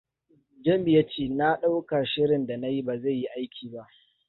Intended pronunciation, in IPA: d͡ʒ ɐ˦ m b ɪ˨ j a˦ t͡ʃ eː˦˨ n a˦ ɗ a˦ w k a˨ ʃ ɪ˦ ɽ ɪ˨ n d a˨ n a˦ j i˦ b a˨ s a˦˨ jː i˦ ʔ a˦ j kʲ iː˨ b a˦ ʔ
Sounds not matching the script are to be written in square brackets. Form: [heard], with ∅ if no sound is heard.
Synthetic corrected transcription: d͡ʒ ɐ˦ m b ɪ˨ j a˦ t͡ʃ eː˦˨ n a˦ ɗ a˦ w k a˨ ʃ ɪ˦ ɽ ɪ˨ n d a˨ n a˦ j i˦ b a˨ [z] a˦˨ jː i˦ ʔ a˦ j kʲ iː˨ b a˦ ʔ